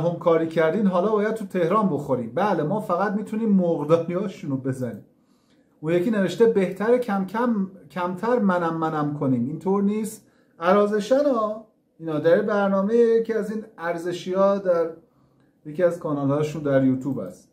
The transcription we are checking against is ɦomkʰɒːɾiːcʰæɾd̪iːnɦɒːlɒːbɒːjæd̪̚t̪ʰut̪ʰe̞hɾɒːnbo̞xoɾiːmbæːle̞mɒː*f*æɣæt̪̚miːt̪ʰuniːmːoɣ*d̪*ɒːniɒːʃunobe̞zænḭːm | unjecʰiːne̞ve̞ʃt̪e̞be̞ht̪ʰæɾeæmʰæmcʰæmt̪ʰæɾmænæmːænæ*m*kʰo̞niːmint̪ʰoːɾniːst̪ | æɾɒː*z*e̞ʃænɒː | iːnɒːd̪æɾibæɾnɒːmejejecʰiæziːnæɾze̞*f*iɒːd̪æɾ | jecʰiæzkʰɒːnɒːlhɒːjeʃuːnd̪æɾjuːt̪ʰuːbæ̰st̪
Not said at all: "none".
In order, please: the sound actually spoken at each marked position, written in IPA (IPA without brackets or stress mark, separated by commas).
f, d̪, m, z, ʃ